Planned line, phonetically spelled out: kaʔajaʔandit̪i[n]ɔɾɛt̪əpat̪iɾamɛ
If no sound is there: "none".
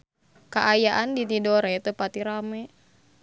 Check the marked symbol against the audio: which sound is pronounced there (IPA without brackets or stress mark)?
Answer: d